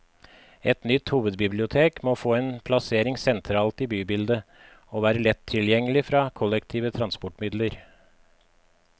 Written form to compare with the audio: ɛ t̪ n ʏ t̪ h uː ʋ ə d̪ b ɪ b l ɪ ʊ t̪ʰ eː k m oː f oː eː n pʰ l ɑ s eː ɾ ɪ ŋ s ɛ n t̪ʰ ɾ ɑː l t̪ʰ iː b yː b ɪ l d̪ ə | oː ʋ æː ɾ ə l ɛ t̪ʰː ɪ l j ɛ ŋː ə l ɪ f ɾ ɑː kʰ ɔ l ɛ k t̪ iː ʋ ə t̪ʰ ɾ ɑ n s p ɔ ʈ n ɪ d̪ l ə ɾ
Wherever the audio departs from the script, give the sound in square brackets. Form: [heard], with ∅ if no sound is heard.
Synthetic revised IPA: ɛ t̪ n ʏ t̪ h uː ʋ ə d̪ b ɪ b l ɪ ʊ t̪ʰ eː k m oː f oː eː n pʰ l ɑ s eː ɾ ɪ ŋ s ɛ n t̪ʰ ɾ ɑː l [t̪] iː b yː b ɪ l d̪ ə | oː ʋ æː ɾ ə l ɛ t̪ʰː ɪ l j ɛ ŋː ə l ɪ f ɾ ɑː kʰ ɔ l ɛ k [t̪ʰ] iː ʋ ə t̪ʰ ɾ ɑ n s p ɔ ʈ [m] ɪ d̪ l ə ɾ

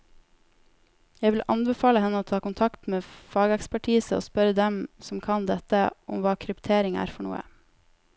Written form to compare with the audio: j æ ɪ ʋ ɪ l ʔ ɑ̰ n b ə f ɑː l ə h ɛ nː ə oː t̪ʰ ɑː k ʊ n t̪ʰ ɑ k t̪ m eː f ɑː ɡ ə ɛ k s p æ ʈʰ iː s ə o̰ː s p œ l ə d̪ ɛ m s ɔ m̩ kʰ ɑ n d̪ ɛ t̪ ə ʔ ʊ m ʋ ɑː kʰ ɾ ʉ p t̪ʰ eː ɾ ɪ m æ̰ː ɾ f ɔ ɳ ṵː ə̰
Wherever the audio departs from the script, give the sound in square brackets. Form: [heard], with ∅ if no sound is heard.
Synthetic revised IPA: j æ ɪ ʋ ɪ l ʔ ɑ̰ n b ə f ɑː l ə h ɛ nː ə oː t̪ʰ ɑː k ʊ n t̪ʰ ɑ k t̪ m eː f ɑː ɡ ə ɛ k s p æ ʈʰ iː s ə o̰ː s p œ [ɾ] ə d̪ ɛ m s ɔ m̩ kʰ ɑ n d̪ ɛ t̪ ə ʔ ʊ m ʋ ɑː kʰ ɾ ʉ p t̪ʰ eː ɾ ɪ [ŋ] æ̰ː ɾ f ɔ ɳ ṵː ə̰

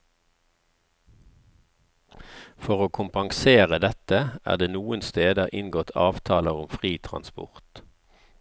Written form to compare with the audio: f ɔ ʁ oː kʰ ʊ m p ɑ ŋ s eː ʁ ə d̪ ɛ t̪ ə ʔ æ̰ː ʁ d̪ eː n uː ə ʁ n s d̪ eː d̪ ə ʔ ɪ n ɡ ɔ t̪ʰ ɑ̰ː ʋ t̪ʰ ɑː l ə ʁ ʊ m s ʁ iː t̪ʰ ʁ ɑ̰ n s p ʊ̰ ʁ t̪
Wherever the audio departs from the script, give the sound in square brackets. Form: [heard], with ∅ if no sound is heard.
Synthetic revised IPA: f ɔ ʁ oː kʰ ʊ m p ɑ ŋ s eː ʁ ə d̪ ɛ t̪ ə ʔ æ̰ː ʁ d̪ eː n uː ə [∅] n s [t̪] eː d̪ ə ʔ ɪ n ɡ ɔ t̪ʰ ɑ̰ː ʋ t̪ʰ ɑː l ə ʁ ʊ m [f] ʁ iː t̪ʰ ʁ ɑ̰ n s p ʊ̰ ʁ t̪

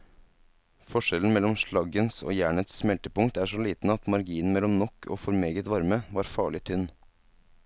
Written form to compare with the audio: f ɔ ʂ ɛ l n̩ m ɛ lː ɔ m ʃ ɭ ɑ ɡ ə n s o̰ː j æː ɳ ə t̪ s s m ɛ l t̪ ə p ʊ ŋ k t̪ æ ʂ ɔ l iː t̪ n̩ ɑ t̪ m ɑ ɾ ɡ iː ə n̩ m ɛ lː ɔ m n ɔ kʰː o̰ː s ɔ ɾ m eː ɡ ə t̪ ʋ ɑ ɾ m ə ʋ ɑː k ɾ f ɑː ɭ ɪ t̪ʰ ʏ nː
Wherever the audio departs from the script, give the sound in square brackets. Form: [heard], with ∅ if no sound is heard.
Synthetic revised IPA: f ɔ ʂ ɛ l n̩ m ɛ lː ɔ m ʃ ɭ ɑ ɡ ə n s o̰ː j æː ɳ ə t̪ s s m ɛ l t̪ ə p ʊ ŋ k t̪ æ ʂ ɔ l iː t̪ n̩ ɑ t̪ m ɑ ɾ ɡ iː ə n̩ m ɛ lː ɔ m n ɔ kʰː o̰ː [f] ɔ ɾ m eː ɡ ə t̪ ʋ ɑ ɾ m ə ʋ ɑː [∅] ɾ f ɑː ɭ ɪ t̪ʰ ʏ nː

